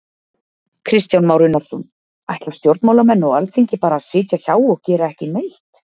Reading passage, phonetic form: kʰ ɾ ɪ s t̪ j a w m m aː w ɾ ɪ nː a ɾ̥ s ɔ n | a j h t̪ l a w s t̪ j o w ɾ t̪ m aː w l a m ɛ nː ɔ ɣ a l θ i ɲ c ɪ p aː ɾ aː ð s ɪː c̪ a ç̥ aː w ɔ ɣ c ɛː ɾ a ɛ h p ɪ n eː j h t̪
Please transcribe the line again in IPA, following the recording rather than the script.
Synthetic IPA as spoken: kʰ ɾ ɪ s t̪ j a w n m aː w ɾ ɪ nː a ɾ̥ s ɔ n | a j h t̪ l a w s t̪ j o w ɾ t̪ m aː w l a m ɛ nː ɔ ɣ a l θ i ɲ c ɪ p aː ɾ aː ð s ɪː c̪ a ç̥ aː w ɔ ɣ c ɛː ɾ a ɛ h c ɪ n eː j h t̪